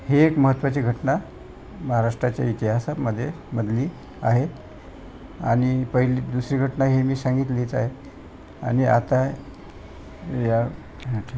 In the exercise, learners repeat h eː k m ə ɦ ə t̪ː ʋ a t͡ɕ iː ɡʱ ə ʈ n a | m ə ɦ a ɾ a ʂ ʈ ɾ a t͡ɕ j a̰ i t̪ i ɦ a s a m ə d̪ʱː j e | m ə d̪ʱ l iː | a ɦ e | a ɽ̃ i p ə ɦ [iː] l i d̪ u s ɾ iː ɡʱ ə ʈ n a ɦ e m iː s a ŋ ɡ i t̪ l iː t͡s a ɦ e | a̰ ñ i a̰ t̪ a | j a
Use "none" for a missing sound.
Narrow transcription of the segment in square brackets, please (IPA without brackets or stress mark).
i